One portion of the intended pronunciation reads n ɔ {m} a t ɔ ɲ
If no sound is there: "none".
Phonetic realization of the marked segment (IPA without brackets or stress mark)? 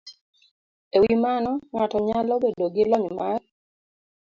ŋ